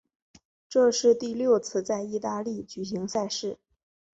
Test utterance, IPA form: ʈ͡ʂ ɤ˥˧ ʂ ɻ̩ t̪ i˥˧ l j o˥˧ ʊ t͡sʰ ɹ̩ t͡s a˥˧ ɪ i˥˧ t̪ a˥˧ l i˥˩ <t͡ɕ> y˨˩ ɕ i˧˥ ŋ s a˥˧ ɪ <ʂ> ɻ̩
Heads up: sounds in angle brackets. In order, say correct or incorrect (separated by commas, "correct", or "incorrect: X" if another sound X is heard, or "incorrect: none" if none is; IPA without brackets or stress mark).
correct, correct